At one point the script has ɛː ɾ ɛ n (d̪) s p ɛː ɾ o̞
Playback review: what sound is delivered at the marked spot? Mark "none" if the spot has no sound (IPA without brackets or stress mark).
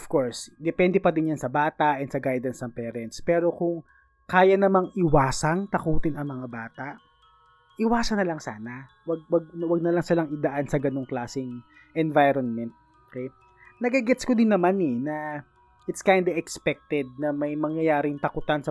t̪